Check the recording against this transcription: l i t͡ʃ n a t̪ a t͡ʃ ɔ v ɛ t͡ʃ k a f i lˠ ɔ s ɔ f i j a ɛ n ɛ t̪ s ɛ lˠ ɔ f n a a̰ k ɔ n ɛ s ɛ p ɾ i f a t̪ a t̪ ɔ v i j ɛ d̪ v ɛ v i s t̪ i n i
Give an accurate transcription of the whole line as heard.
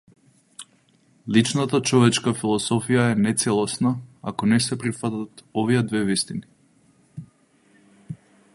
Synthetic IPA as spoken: l i t͡ʃ n a t̪ a t͡ʃ ɔ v ɛ t͡ʃ k a f i lˠ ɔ s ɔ f i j a ɛ n ɛ t̪ s ɛ lˠ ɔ s n a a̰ k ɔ n ɛ s ɛ p ɾ i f a t̪ a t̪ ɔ v i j ɛ d̪ v ɛ v i s t̪ i n i